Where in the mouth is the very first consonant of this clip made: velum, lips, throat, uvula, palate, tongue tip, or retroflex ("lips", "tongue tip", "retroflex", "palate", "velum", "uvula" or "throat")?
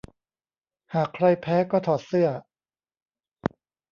throat